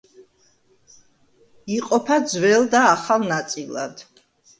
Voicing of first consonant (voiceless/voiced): voiceless